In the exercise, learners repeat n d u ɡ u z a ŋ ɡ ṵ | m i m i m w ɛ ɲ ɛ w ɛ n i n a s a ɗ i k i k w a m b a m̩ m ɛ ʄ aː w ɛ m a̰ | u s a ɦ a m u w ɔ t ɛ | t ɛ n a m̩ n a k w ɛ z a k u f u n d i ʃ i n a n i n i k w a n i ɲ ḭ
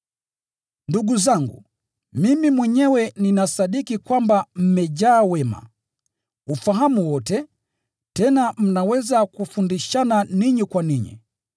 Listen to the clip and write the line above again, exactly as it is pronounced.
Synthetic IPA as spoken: n d u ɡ u z a ŋ ɡ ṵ | m i m i m w ɛ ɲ ɛ w ɛ n i n a s a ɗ i k i k w a m b a m̩ m ɛ ʄ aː w ɛ m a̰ | u f a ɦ a m u w ɔ t ɛ | t ɛ n a m̩ n a w ɛ z a k u f u n d i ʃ a n a n i ɲ i k w a n i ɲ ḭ